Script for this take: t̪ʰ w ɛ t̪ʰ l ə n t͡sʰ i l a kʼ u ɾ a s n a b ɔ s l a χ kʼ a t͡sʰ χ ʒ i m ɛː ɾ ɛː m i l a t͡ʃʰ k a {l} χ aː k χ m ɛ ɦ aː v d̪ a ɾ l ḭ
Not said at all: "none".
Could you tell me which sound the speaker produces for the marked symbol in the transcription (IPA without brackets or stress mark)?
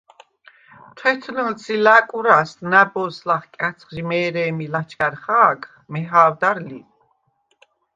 ɾ